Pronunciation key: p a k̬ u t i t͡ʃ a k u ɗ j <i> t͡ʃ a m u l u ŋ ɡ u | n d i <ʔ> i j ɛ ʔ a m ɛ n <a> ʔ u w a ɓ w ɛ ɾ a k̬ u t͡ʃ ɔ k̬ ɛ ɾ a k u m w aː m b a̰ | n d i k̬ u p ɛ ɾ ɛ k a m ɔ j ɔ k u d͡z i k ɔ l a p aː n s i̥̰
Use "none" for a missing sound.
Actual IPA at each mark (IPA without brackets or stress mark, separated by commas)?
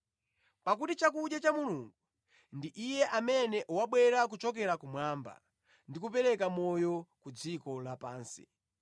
a, ʔ, ɛ